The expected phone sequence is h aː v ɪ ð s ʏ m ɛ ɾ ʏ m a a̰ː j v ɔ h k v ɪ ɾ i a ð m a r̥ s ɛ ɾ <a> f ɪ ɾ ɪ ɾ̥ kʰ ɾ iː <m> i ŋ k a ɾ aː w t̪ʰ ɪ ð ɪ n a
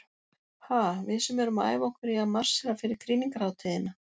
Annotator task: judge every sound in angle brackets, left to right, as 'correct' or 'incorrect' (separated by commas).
correct, incorrect